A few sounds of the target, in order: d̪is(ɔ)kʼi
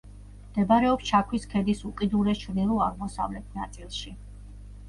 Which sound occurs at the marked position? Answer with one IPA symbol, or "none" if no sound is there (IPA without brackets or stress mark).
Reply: u